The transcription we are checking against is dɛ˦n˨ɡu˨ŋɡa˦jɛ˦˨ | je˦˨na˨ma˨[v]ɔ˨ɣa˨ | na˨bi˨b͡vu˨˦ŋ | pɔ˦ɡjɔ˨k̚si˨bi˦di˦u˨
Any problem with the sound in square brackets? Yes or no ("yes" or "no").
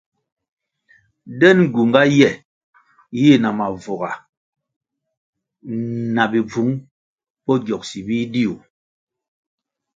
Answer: no